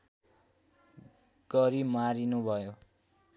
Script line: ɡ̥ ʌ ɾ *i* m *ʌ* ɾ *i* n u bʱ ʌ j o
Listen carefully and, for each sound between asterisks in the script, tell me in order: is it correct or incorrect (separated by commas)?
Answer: correct, incorrect, correct